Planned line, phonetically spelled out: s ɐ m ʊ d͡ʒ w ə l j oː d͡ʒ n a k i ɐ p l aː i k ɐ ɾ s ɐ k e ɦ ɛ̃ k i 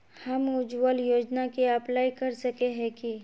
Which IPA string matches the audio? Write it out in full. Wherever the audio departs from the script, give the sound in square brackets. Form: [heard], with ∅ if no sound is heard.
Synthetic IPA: [h] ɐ m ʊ d͡ʒ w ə l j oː d͡ʒ n a k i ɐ p l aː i k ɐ ɾ s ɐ k e ɦ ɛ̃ k i